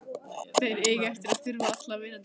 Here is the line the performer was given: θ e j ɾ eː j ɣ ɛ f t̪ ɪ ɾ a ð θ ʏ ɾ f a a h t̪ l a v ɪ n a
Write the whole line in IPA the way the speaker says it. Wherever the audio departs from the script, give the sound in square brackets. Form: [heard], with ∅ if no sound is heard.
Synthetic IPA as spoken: θ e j ɾ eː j ɣ ɛ f t̪ ɪ ɾ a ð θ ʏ ɾ [v] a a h t̪ l a v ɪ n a